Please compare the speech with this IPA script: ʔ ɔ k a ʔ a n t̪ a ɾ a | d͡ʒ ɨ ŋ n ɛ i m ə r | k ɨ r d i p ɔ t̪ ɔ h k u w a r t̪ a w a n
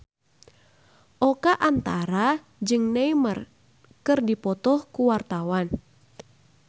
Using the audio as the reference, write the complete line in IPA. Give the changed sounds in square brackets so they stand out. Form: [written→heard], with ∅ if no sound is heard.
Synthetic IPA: ʔ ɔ k a ʔ a n t̪ a ɾ a | d͡ʒ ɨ ŋ n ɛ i m ə r | k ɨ r d i p ɔ t̪ ɔ h k u w a r t̪ a w a n